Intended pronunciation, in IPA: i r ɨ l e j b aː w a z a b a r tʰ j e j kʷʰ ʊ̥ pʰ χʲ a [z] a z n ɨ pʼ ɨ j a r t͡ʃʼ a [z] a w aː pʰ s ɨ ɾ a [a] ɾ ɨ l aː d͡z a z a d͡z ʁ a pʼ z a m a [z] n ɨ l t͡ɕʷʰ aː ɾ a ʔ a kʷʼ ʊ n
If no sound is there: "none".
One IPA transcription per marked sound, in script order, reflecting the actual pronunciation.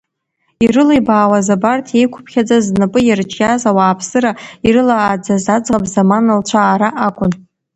d͡z, z, i, none

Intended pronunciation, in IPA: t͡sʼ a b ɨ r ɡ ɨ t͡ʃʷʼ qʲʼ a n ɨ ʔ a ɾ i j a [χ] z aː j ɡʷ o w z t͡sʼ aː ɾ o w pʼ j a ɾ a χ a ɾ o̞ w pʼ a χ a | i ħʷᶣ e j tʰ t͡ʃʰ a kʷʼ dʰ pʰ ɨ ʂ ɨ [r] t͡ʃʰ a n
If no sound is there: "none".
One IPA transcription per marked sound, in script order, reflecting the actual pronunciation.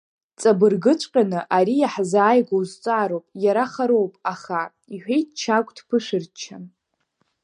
ħ, r

